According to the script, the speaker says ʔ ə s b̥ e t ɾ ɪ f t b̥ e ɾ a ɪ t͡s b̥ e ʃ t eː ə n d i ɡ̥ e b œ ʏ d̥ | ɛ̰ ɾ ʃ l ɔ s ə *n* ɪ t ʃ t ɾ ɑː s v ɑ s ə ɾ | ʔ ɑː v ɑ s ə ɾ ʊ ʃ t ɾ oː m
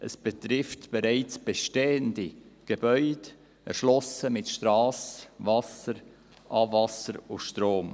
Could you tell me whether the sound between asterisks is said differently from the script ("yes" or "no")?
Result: yes